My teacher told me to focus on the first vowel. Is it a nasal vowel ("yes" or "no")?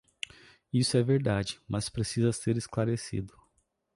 no